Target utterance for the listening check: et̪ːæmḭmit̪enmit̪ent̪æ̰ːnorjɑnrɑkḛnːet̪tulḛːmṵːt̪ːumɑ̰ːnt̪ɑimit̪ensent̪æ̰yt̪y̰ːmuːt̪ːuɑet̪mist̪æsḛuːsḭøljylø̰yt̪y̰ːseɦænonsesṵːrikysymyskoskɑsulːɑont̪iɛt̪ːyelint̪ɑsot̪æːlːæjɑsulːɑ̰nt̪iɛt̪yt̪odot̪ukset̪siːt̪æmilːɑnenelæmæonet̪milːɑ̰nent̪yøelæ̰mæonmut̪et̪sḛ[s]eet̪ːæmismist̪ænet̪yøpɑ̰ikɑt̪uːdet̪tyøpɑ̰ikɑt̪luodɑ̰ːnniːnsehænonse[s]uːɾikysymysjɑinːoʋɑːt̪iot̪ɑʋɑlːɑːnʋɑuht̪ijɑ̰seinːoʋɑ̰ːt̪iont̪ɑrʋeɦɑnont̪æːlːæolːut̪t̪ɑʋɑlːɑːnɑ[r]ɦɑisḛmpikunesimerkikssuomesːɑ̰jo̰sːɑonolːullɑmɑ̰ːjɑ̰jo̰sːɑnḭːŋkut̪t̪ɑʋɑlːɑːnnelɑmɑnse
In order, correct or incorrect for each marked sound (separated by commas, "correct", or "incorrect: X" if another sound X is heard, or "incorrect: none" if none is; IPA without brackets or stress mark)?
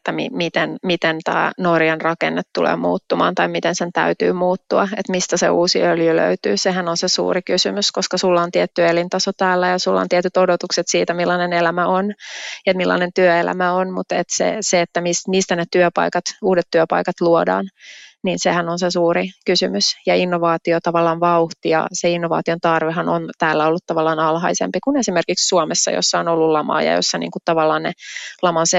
correct, correct, incorrect: l